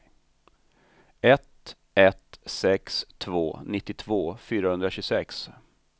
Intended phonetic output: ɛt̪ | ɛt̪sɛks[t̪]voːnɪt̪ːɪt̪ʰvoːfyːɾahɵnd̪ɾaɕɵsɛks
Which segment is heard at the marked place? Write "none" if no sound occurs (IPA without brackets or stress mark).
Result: t̪ʰ